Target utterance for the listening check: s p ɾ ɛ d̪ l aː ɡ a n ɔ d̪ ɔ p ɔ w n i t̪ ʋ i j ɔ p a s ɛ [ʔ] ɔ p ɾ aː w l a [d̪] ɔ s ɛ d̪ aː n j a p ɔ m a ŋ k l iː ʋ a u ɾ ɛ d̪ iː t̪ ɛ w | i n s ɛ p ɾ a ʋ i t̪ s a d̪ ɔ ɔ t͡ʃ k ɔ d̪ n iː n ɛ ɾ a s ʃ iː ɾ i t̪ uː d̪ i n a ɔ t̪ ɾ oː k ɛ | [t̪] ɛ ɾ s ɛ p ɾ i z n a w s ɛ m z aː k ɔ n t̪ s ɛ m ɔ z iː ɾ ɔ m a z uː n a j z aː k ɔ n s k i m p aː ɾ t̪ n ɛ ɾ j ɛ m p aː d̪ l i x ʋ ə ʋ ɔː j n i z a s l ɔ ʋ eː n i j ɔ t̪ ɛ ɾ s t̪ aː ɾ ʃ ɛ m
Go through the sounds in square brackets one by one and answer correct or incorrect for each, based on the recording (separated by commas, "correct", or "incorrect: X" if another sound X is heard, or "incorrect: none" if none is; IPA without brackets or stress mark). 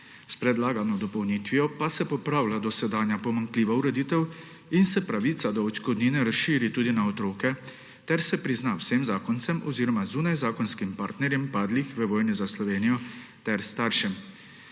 incorrect: p, correct, correct